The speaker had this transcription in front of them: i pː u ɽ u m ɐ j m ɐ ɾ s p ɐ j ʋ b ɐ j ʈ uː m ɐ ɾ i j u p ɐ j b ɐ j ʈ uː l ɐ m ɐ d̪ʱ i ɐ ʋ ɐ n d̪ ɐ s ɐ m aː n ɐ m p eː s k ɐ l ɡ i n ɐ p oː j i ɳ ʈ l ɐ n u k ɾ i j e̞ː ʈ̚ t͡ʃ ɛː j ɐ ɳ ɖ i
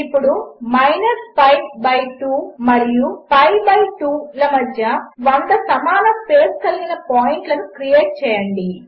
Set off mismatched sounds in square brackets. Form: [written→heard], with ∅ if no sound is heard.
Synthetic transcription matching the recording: i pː u ɽ u m ɐ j [m→n] ɐ ɾ s p ɐ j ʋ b ɐ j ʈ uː m ɐ ɾ i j u p ɐ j b ɐ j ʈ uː l ɐ m ɐ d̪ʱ [i→j] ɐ ʋ ɐ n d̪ ɐ s ɐ m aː n ɐ m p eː s k ɐ l ɡ i n ɐ p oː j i ɳ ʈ l ɐ n u k ɾ i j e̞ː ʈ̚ t͡ʃ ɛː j ɐ ɳ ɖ i